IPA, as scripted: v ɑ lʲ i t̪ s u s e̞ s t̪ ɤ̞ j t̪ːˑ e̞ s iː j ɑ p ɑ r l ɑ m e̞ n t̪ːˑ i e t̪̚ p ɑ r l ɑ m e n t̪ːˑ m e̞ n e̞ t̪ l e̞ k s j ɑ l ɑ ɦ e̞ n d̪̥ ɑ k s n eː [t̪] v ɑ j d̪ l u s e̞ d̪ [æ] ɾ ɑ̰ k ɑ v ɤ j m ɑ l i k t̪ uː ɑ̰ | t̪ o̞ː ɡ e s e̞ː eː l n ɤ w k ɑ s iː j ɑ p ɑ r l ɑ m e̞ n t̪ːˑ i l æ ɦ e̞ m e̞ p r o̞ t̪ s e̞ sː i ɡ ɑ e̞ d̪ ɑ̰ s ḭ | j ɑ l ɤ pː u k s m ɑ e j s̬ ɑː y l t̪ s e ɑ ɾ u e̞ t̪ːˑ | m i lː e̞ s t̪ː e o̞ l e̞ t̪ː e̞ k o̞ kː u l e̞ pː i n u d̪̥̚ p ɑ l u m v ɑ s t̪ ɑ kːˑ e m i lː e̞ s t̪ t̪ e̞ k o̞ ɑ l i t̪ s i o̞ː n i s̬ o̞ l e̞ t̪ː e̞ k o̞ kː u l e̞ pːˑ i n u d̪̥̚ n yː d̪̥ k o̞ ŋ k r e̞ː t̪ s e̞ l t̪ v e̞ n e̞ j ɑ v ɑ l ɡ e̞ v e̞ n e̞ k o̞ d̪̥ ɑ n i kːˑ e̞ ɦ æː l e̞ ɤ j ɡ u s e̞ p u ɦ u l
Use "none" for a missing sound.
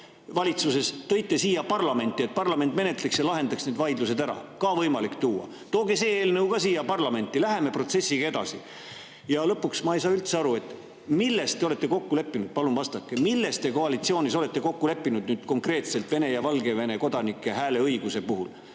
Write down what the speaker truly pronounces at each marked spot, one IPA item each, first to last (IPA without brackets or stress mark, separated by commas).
d̪, æ